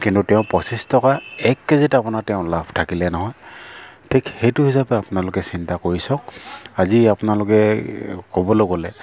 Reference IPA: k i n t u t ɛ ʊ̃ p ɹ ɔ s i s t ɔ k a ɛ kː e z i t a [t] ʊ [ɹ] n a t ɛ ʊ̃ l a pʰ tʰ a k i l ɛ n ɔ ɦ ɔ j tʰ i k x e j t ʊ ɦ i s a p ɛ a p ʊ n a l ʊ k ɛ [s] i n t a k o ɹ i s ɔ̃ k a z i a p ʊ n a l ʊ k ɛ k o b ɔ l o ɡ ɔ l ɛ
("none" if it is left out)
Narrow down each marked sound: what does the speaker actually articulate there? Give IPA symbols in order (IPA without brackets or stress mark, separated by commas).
p, none, s